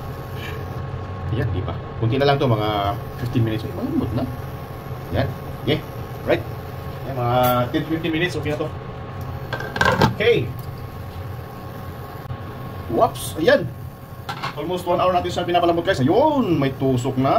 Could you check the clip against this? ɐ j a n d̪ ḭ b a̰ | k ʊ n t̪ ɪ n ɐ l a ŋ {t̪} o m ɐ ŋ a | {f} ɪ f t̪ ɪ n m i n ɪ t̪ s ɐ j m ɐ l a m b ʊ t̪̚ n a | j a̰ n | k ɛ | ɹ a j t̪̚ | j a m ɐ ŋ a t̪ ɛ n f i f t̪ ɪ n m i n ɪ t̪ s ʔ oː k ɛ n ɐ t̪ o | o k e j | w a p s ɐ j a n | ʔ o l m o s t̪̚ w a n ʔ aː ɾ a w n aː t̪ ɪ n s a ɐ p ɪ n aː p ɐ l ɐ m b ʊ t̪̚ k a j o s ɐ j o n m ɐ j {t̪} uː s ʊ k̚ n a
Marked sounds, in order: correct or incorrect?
correct, correct, correct

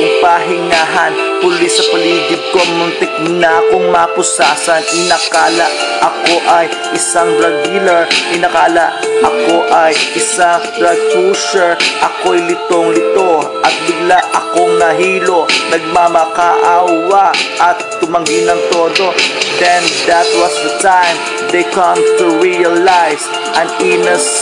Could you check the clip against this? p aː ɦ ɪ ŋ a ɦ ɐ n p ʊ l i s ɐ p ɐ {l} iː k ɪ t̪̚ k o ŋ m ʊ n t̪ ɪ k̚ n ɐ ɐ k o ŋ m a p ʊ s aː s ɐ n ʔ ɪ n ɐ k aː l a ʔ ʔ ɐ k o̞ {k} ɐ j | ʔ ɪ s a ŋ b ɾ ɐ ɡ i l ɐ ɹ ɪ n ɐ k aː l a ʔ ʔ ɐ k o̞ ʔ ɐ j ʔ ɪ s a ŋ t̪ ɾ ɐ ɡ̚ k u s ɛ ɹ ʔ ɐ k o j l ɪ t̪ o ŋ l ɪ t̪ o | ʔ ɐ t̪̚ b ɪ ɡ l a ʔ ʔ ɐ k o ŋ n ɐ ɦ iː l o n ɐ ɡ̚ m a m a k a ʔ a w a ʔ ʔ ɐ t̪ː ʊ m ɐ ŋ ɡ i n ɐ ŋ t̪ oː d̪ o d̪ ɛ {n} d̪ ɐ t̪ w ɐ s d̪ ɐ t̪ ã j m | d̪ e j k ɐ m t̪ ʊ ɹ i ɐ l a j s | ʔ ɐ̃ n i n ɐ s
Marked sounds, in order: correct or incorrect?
correct, incorrect: ʔ, correct

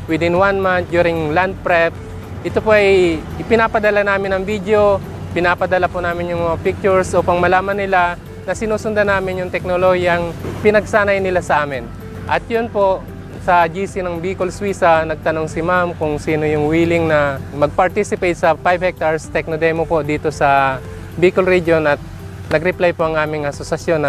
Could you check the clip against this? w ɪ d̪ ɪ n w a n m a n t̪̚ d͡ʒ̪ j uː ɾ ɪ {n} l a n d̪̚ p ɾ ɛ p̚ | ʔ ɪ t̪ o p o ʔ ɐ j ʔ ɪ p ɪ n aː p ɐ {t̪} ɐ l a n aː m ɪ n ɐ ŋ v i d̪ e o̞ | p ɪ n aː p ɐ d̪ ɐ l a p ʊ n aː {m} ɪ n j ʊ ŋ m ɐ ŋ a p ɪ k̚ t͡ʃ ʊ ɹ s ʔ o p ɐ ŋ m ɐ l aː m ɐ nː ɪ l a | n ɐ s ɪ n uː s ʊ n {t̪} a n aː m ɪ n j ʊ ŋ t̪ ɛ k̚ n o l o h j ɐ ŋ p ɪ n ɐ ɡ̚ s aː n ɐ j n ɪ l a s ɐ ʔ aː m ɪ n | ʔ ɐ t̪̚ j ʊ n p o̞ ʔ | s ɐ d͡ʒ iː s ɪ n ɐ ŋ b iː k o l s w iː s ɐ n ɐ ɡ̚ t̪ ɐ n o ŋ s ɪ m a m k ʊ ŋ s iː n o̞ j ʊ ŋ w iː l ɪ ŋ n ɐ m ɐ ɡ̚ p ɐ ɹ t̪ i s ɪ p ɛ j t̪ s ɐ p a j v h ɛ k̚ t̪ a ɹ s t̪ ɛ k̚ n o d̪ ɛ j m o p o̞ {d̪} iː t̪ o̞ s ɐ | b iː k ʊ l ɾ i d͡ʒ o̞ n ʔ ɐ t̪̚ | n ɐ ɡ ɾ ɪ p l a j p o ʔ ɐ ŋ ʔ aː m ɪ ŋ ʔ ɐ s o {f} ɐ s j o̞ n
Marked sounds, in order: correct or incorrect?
incorrect: ŋ, incorrect: d̪, correct, incorrect: d̪, correct, incorrect: s

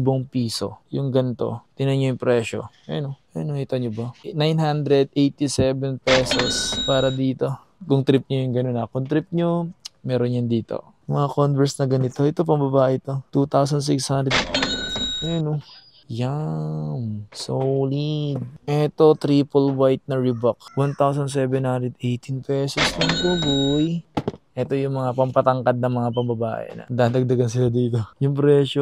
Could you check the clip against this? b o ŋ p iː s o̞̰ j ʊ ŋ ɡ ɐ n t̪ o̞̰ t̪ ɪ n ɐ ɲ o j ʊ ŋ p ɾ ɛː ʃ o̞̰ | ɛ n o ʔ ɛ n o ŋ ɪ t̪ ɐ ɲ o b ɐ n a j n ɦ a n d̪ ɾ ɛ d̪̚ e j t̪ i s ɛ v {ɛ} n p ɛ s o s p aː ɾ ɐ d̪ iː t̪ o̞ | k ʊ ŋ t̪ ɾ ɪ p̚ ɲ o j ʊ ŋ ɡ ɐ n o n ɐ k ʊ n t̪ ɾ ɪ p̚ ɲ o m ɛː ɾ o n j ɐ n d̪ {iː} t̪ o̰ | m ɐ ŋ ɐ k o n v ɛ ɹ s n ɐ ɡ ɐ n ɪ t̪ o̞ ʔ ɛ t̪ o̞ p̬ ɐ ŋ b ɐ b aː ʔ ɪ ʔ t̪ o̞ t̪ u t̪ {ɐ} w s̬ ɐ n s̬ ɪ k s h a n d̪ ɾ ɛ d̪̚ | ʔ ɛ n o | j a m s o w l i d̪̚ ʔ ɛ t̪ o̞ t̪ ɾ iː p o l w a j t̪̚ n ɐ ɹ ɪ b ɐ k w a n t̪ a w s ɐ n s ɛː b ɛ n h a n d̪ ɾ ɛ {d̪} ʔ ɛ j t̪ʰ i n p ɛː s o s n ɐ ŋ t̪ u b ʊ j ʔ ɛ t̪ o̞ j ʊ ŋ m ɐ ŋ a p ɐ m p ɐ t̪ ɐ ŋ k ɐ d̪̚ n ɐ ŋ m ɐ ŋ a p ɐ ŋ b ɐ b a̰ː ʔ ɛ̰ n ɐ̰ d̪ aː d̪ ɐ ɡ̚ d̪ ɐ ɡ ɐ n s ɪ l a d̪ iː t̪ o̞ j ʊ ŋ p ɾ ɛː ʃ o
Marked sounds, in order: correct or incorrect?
correct, correct, incorrect: a, correct

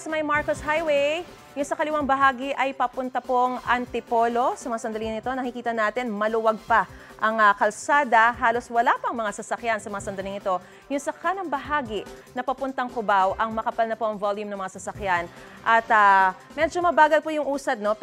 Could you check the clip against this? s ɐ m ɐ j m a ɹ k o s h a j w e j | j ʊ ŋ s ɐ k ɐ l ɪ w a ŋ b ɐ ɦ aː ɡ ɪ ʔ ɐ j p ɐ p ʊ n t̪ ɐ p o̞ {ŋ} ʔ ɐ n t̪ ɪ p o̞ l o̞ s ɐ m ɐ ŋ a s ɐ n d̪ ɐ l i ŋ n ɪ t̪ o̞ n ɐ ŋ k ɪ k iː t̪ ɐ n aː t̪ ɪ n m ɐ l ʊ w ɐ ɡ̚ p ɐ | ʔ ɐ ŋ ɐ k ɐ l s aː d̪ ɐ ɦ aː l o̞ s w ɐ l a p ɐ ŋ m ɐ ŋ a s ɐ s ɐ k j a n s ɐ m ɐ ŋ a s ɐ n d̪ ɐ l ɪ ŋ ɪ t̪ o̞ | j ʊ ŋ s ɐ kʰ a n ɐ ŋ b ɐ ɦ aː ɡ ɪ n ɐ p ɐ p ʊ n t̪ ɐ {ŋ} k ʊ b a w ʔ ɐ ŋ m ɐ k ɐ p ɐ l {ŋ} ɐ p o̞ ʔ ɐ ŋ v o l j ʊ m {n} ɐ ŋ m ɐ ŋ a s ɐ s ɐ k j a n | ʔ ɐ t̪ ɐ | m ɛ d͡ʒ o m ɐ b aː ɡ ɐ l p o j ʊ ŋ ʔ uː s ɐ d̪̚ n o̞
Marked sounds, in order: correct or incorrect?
correct, correct, incorrect: n, correct

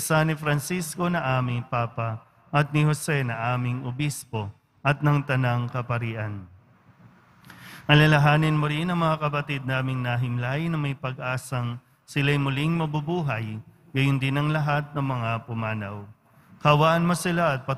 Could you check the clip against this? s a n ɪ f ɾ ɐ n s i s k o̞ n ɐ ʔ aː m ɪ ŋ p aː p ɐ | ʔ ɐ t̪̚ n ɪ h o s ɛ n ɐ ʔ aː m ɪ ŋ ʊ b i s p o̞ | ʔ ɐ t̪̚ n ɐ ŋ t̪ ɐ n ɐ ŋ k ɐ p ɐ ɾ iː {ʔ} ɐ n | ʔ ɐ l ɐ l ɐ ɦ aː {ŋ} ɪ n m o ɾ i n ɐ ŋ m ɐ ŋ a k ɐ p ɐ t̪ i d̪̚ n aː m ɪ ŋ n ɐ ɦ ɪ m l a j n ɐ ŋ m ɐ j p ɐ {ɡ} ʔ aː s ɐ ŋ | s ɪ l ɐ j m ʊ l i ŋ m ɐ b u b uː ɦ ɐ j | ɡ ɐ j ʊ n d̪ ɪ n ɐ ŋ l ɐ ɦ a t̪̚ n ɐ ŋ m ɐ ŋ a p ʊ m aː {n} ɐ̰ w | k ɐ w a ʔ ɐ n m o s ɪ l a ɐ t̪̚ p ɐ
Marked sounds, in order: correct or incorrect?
correct, incorrect: n, correct, correct

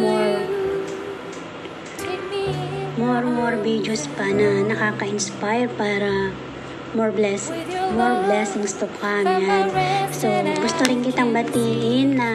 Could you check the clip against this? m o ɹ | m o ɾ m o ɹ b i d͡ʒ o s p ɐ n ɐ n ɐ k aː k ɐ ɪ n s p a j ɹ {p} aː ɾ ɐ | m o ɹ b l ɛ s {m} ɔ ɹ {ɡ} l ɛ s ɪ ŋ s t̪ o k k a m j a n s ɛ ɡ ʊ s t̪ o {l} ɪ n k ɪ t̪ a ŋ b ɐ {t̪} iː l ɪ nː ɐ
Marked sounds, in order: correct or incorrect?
correct, correct, incorrect: b, incorrect: ɾ, correct

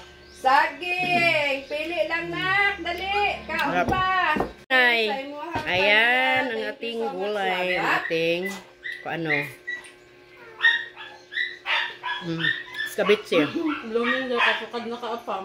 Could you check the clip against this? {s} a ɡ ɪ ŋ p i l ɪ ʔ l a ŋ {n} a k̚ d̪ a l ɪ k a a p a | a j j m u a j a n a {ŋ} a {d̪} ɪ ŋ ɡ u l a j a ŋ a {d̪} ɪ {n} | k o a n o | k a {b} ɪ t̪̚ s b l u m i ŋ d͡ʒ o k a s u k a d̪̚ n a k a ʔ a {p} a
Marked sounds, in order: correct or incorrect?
correct, correct, correct, incorrect: t̪, incorrect: t̪, incorrect: ŋ, correct, correct

